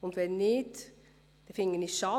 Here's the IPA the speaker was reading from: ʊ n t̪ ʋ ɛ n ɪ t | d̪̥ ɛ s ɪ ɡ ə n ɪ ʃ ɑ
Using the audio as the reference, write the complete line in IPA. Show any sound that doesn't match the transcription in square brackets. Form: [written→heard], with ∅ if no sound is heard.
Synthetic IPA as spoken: ʊ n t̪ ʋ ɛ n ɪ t | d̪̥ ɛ [s→f] ɪ [ɡ→ŋ] ə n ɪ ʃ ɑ